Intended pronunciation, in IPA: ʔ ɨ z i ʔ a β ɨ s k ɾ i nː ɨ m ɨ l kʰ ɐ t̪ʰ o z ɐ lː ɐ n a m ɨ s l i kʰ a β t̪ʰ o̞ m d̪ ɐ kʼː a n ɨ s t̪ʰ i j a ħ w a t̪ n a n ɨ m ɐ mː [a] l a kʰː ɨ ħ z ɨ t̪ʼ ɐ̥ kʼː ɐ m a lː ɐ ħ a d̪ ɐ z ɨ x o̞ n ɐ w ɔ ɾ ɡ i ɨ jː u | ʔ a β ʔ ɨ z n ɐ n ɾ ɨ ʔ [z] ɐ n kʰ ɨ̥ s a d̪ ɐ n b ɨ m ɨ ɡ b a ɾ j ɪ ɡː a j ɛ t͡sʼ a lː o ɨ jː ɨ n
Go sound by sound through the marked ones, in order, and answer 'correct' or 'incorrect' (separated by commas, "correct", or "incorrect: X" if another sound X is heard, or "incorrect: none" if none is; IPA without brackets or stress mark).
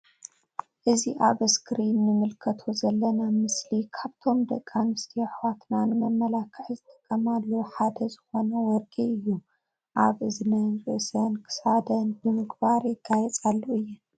incorrect: ɐ, incorrect: s